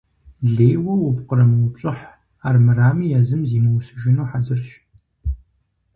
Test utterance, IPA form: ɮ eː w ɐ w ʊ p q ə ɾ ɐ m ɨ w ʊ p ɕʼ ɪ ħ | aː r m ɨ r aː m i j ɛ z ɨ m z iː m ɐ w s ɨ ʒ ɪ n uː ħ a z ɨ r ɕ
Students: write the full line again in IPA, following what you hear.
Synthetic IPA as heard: ɮ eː w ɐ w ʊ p q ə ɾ ɐ m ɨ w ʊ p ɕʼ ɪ ħ | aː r m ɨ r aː m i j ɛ z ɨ m z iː m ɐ w s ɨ ʒ ɪ n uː ħ a z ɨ r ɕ